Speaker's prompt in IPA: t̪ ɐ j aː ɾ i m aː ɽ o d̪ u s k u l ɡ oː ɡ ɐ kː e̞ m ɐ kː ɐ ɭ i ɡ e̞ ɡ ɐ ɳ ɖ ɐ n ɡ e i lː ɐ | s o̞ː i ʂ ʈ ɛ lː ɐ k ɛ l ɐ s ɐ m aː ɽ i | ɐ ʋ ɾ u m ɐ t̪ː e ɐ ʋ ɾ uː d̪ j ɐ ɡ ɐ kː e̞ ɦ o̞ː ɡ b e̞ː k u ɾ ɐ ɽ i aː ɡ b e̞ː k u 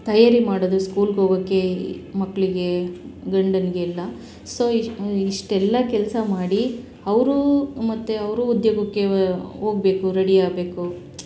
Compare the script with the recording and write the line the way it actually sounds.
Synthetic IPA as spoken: t̪ ɐ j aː ɾ i m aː ɽ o d̪ u s k uː l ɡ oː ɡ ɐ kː e̞ m ɐ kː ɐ ɭ i ɡ e̞ ɡ ɐ ɳ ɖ ɐ n ɡ e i lː ɐ | s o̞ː i ʂ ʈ ɛ lː ɐ k ɛ l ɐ s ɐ m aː ɽ i | ɐ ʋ ɾ u m ɐ t̪ː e ɐ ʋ ɾ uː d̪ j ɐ ɡ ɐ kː e̞ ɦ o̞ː ɡ b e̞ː k u ɾ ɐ ɽ i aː ɡ b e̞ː k u